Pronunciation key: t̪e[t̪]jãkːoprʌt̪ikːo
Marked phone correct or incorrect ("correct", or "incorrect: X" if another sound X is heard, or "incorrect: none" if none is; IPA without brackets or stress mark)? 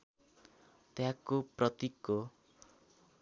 incorrect: none